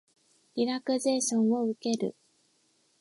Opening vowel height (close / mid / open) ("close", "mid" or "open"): close